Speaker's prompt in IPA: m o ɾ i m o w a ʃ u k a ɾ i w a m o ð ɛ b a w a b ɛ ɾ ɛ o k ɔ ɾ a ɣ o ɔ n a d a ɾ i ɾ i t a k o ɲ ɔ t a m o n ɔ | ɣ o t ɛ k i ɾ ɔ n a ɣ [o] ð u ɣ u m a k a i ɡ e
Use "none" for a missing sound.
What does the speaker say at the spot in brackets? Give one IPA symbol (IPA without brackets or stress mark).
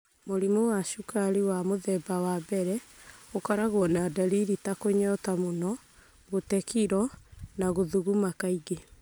o